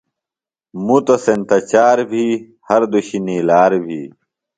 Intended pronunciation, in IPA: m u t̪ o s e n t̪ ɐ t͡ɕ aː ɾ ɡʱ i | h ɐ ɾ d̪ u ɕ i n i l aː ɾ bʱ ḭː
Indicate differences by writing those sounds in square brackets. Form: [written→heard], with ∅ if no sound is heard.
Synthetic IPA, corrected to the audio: m u t̪ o s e n t̪ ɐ t͡ɕ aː ɾ [ɡʱ→bʱ] i | h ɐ ɾ d̪ u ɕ i n i l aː ɾ bʱ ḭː